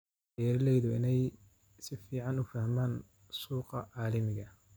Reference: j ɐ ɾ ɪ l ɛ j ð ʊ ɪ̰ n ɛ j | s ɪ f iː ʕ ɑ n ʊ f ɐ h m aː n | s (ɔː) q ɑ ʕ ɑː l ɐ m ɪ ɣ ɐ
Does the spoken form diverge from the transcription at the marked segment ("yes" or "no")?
yes